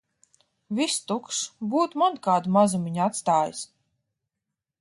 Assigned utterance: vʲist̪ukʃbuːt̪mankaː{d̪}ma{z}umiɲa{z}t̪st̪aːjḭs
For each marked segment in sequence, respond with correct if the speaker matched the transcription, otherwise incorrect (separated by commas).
correct, correct, incorrect